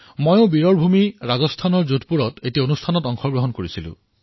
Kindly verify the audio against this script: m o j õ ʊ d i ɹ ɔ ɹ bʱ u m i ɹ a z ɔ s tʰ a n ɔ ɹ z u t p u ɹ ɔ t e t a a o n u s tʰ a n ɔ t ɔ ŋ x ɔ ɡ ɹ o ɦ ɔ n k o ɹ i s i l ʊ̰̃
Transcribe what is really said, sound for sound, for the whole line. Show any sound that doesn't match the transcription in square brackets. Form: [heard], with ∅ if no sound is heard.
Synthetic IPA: m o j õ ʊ [b] i ɹ ɔ ɹ bʱ u m i ɹ a z ɔ s tʰ a n ɔ ɹ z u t p u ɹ ɔ t e t [i] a o n u s tʰ a n ɔ t ɔ ŋ x ɔ ɡ ɹ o ɦ ɔ n k o ɹ i s i l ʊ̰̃